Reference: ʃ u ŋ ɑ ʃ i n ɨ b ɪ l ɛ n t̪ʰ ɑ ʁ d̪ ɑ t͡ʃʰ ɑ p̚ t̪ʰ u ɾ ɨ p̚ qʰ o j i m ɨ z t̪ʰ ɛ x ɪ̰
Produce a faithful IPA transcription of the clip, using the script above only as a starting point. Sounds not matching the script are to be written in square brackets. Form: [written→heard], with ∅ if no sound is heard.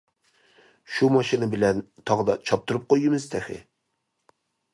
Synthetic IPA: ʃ u [ŋ→m] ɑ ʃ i n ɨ b ɪ l ɛ n t̪ʰ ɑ ʁ d̪ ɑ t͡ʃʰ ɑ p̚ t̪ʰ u ɾ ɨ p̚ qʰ o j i m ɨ z t̪ʰ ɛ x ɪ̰